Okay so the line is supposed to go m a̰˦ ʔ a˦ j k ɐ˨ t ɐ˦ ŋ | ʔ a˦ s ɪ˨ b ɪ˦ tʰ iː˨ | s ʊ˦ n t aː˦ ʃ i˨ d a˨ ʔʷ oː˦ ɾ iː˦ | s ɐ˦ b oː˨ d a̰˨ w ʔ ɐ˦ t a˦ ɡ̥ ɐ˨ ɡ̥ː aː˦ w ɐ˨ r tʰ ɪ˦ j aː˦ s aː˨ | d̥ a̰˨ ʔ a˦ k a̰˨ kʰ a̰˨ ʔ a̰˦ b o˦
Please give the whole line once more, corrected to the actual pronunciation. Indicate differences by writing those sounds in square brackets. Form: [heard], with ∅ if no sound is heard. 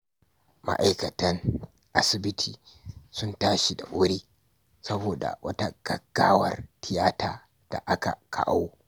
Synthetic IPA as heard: m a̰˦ ʔ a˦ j k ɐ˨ t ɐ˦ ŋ | ʔ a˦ s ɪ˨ b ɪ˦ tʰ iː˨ | s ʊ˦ n t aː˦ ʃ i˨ d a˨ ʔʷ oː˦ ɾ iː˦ | s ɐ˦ b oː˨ d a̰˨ w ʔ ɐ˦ t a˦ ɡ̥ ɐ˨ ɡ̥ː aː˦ w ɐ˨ r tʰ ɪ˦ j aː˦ [t] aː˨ | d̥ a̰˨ ʔ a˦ k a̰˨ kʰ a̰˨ ʔ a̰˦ [w] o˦